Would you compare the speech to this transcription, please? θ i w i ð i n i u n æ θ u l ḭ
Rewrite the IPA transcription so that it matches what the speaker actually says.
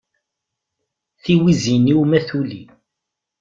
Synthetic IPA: θ i w i z i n i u m æ θ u l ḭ